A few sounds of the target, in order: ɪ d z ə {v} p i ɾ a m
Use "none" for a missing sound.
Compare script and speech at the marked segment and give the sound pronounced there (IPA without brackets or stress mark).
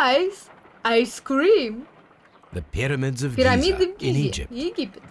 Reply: v